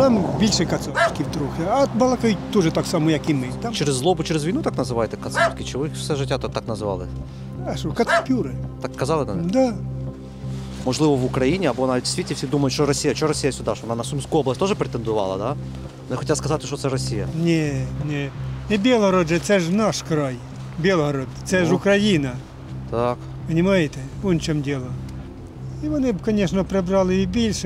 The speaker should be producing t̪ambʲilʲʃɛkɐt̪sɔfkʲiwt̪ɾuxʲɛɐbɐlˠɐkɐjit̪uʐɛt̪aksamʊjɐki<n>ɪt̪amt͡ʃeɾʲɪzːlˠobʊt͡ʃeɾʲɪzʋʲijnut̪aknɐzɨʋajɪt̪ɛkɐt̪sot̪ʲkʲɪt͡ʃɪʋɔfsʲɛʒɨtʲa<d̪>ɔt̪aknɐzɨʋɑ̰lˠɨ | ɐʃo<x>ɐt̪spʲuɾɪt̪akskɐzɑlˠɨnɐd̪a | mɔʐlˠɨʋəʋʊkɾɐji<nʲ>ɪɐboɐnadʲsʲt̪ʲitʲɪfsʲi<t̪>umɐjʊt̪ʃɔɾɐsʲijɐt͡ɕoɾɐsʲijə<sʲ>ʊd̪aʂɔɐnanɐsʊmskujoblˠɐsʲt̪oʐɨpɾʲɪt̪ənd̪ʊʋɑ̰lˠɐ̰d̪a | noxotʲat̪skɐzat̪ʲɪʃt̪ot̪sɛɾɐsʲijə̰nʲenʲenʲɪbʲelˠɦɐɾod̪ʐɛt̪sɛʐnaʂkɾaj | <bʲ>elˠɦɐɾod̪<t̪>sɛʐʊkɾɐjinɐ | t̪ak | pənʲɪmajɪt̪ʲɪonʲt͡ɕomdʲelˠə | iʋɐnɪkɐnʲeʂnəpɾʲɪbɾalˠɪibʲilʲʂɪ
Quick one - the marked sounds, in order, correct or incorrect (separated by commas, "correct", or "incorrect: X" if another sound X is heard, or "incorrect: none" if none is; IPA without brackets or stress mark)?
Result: incorrect: m, incorrect: t̪, incorrect: k, correct, incorrect: d̪, correct, correct, correct